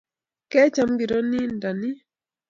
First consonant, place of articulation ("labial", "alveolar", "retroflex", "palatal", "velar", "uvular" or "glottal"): velar